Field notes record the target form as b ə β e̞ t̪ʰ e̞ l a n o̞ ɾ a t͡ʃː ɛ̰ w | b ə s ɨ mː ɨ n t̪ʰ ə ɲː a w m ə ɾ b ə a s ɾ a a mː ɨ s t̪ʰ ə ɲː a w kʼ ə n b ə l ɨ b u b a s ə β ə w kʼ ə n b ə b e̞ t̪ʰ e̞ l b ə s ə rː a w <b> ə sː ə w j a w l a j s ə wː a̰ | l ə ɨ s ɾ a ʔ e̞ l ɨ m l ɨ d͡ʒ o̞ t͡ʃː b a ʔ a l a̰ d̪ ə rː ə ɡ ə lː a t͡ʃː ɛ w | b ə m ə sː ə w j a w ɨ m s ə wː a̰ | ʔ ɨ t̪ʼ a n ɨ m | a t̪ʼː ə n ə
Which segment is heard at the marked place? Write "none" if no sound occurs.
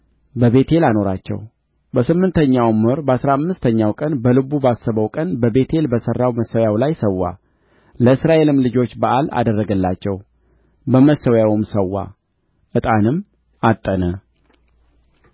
m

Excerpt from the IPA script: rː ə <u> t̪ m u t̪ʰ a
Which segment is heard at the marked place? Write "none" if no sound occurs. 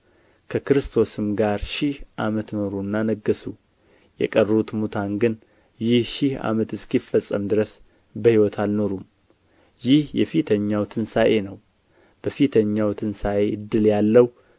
u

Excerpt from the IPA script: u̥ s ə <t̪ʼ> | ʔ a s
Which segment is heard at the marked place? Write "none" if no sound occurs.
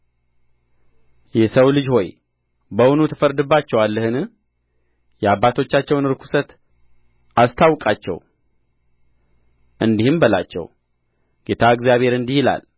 t̪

